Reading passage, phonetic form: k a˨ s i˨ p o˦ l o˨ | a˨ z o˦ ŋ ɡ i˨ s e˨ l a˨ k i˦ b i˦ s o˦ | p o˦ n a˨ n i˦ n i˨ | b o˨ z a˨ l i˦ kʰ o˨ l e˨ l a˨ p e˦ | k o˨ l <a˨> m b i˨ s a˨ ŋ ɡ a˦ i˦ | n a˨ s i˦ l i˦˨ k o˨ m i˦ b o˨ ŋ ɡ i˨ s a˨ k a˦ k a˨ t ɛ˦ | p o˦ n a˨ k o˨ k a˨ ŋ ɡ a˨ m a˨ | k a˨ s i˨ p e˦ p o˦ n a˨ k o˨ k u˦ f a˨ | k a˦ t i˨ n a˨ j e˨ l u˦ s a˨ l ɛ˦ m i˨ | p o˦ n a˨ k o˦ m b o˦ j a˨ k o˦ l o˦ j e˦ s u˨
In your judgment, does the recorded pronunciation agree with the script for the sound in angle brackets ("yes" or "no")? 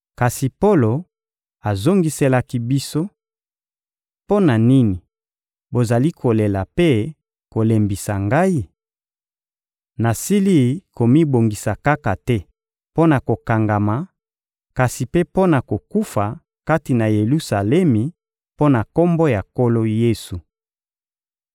no